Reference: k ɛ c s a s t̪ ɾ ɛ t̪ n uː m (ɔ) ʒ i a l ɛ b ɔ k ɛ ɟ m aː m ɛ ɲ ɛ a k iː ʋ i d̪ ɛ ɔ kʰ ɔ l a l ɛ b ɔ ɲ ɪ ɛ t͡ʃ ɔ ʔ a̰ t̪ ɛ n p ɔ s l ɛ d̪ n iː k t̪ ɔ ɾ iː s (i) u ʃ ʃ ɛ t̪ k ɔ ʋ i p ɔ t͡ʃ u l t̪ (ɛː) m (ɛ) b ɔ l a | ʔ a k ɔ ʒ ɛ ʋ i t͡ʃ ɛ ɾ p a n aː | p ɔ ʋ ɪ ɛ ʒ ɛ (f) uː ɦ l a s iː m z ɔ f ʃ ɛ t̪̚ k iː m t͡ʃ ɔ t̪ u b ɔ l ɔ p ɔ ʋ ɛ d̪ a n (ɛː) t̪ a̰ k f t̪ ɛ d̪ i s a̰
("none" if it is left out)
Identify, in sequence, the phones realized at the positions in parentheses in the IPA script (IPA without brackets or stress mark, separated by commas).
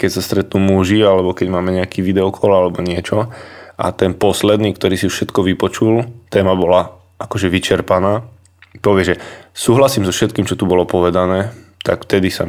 u, i, ɛː, a, s, ɛː